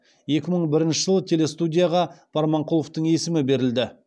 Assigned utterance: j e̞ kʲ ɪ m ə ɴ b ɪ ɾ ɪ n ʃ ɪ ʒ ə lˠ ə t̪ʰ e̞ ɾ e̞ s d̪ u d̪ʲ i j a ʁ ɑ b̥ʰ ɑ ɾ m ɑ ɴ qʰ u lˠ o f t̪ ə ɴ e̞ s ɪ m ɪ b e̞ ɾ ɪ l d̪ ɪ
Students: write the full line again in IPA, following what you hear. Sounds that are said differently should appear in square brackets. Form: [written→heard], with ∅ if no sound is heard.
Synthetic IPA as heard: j e̞ kʲ ɪ m ə ɴ b ɪ ɾ ɪ n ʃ ɪ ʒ ə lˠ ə t̪ʰ e̞ [ɾ→l] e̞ s [d̪→t̪] u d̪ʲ i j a ʁ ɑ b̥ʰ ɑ ɾ m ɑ ɴ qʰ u lˠ o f t̪ ə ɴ e̞ s ɪ m ɪ b e̞ ɾ ɪ l d̪ ɪ